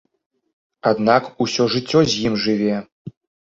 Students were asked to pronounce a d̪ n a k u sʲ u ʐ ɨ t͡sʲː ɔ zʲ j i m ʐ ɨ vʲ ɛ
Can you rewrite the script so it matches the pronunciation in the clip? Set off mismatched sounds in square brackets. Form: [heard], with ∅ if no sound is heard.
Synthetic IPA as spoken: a d̪ n a k u sʲ [ɔ] ʐ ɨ t͡sʲː ɔ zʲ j i m ʐ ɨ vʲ ɛ